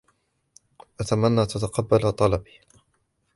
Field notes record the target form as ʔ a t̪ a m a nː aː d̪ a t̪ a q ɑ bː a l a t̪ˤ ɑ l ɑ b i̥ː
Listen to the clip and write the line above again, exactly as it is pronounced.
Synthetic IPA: ʔ a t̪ a m a nː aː t̪ a t̪ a q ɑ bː a l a t̪ˤ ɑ l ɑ b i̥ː